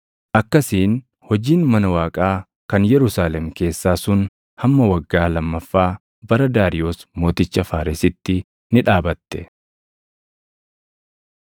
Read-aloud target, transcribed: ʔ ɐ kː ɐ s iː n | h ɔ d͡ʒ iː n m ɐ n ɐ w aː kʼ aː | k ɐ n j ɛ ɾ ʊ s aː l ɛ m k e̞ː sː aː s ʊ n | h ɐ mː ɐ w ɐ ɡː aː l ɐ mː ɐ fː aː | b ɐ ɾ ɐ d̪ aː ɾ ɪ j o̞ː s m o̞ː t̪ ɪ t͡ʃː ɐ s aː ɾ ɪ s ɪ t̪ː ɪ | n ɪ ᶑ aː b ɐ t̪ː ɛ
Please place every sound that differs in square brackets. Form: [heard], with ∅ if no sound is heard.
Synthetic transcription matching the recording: ʔ ɐ kː ɐ s iː n | h ɔ d͡ʒ iː n m ɐ n ɐ w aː kʼ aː | k ɐ n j ɛ ɾ ʊ s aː l ɛ m k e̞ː sː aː s ʊ n | h ɐ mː ɐ w ɐ ɡː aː l ɐ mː ɐ fː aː | b ɐ ɾ ɐ d̪ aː ɾ ɪ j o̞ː s m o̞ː t̪ ɪ t͡ʃː ɐ [f] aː ɾ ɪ s ɪ t̪ː ɪ | n ɪ ᶑ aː b ɐ t̪ː ɛ